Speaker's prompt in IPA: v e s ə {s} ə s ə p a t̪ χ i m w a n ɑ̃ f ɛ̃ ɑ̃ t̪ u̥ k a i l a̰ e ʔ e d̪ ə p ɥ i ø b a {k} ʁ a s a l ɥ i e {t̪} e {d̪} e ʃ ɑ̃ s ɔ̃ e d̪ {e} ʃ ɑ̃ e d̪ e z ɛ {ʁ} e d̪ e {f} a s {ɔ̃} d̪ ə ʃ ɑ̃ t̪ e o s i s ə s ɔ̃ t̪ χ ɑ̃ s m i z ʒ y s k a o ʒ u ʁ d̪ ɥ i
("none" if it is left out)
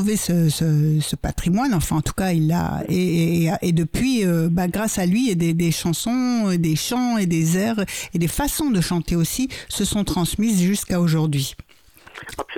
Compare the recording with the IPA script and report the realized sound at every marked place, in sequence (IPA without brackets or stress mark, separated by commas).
s, ɡ, d̪, d̪, e, ʁ, f, ɔ̃